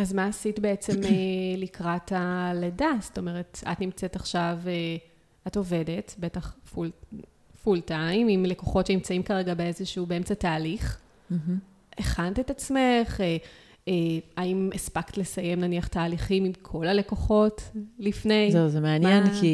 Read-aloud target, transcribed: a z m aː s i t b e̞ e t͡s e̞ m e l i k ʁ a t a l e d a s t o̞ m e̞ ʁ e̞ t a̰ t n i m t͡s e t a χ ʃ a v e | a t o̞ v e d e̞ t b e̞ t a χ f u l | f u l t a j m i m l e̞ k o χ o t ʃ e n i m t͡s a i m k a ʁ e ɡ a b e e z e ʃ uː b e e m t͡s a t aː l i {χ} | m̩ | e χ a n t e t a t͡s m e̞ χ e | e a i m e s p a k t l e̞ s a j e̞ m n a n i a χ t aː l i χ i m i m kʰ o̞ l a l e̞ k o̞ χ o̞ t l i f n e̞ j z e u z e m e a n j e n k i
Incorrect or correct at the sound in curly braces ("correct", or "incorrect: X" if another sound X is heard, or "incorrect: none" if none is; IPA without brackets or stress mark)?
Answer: correct